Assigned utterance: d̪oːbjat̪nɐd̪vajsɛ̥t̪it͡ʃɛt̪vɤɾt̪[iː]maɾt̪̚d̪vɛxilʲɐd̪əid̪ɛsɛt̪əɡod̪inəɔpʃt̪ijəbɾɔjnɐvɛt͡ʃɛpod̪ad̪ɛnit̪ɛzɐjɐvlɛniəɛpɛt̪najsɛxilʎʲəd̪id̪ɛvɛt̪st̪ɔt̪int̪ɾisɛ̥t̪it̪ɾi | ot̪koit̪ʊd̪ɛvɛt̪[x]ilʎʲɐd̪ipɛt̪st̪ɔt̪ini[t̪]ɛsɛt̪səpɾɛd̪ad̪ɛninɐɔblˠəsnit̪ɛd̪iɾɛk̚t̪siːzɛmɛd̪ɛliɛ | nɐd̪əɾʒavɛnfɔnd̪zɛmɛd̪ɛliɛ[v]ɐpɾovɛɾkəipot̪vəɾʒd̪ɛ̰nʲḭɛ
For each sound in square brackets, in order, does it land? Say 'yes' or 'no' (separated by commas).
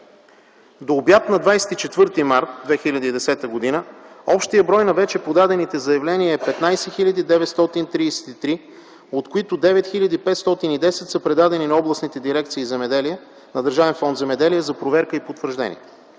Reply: no, yes, no, no